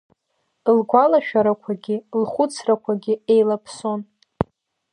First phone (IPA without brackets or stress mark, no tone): l